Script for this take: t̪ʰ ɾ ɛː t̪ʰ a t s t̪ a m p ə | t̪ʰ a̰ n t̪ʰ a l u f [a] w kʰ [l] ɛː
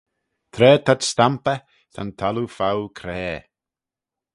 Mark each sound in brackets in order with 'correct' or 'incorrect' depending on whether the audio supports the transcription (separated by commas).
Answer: correct, incorrect